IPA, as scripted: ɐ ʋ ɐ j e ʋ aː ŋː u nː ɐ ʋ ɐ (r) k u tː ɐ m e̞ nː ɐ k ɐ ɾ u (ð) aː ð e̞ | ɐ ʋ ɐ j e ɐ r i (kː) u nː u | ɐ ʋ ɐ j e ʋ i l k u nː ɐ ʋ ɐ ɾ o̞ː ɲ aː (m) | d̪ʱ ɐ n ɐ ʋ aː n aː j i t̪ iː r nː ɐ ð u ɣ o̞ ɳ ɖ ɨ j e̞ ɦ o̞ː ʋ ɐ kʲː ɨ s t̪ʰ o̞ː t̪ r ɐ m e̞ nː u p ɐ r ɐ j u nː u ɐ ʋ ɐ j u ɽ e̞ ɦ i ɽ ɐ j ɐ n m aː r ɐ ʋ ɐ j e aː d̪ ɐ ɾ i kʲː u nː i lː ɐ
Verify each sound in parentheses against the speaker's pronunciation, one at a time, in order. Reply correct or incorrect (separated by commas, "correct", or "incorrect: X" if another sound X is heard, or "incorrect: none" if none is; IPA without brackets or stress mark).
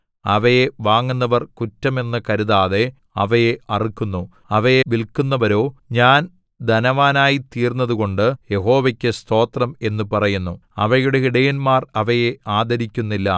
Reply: correct, correct, correct, incorrect: n